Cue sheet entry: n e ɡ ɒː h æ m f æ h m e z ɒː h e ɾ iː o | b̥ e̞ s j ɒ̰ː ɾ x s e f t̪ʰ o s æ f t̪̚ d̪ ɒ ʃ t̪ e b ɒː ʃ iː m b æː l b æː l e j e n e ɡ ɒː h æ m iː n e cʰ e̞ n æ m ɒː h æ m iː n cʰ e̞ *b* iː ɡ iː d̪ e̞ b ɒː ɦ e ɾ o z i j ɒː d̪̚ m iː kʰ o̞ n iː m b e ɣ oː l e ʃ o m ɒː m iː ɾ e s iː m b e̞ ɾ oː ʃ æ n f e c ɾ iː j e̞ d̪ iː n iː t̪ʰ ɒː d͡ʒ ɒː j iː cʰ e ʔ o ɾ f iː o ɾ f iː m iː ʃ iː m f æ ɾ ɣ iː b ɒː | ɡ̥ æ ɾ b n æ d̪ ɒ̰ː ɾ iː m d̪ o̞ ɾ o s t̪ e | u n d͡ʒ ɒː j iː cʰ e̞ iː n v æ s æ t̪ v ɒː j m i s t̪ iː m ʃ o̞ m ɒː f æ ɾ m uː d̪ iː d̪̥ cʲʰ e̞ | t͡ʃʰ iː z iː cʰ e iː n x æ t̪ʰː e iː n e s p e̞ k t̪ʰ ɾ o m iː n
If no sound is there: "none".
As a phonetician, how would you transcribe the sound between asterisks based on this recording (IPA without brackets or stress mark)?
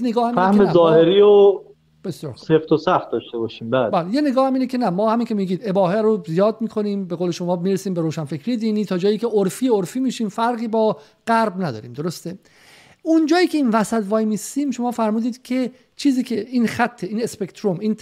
m